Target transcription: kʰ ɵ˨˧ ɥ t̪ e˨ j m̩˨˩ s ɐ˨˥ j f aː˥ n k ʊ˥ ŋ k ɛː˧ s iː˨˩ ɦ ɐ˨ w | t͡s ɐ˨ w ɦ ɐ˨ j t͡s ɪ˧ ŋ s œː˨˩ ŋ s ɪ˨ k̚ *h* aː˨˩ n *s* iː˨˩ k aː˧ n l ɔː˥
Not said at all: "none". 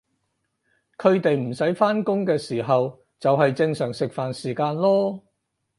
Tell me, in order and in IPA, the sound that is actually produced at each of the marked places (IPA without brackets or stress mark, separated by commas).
f, s